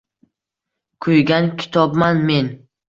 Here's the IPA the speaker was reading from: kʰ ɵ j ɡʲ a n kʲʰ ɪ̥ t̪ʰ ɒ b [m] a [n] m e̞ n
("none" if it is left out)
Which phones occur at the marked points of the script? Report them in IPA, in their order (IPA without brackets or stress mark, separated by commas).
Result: m, n